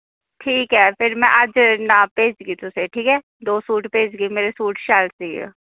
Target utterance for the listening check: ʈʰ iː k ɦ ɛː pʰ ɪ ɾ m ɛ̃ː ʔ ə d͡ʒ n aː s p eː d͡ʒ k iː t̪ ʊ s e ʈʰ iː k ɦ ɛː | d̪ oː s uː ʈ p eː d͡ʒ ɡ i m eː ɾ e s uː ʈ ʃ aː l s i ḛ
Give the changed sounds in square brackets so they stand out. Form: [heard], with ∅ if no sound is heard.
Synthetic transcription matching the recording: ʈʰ iː k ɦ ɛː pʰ ɪ ɾ m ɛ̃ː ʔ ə d͡ʒ n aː [∅] p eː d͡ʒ [ɡ] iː t̪ ʊ s e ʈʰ iː k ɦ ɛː | d̪ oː s uː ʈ p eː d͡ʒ ɡ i m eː ɾ e s uː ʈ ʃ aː l s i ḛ